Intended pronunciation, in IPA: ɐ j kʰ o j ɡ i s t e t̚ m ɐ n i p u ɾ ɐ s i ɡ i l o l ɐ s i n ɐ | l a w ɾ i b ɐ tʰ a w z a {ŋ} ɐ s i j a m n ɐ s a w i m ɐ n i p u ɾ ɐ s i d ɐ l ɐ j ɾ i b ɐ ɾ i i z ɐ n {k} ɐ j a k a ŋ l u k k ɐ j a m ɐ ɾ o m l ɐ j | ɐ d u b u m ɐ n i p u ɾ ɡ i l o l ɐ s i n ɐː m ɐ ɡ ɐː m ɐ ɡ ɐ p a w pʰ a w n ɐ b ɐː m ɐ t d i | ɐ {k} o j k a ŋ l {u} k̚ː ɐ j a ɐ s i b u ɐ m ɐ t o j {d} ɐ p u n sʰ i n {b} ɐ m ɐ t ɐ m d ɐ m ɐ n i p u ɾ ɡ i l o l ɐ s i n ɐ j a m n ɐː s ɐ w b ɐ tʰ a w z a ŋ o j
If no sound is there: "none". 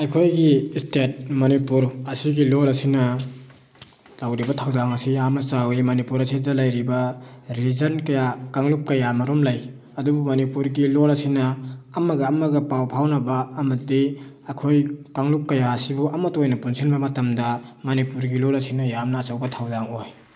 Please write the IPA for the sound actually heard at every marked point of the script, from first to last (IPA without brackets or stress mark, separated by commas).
ŋ, k, kʰ, u, n, b